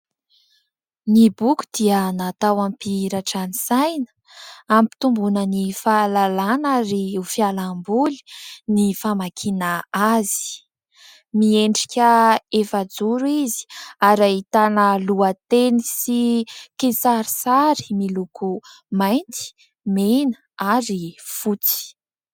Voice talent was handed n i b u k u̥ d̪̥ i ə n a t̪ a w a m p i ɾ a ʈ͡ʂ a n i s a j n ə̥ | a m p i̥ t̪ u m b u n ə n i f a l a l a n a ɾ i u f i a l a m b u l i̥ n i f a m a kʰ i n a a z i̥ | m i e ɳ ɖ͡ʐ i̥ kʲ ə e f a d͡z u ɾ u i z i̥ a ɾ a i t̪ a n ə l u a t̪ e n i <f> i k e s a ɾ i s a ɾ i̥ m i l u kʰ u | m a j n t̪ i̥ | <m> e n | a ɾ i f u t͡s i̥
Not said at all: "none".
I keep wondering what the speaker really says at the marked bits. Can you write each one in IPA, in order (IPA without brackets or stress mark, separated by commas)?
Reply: s, m